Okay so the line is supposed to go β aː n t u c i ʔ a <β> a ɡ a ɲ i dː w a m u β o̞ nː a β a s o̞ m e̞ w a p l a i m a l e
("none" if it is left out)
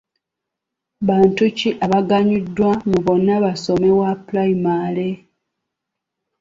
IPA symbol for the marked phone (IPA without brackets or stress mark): β